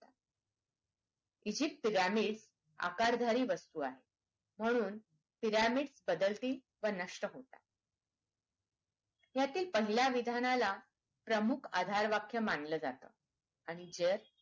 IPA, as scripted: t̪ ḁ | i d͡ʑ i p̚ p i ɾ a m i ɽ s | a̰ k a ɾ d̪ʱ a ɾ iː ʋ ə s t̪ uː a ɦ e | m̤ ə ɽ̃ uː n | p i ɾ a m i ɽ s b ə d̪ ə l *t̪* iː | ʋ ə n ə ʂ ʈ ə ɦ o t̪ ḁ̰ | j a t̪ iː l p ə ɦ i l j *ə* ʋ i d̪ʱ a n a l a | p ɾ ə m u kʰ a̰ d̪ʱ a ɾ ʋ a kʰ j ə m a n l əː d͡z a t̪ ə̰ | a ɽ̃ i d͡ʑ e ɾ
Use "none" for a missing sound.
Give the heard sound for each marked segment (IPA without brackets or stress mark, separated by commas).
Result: t̪, a